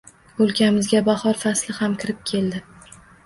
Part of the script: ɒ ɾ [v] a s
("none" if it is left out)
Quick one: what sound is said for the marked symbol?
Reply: f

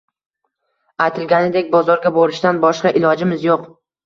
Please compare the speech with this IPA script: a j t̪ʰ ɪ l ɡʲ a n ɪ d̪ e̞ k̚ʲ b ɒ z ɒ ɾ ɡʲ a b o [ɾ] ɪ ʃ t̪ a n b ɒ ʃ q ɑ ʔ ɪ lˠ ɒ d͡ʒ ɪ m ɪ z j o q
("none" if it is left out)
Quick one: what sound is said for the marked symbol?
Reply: ɾ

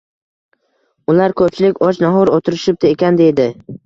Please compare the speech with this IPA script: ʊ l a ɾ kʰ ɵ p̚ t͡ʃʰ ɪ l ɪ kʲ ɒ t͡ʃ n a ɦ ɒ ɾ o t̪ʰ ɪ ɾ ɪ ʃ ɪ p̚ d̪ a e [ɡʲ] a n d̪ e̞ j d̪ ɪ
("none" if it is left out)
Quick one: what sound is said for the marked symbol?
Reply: kʲ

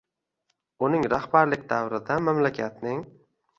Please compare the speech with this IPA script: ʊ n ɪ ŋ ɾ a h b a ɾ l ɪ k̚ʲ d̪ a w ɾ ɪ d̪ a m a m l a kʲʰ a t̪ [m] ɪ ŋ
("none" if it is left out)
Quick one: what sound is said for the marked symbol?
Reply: n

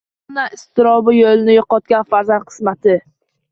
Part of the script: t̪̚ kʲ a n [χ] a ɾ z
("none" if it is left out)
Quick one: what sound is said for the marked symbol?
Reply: f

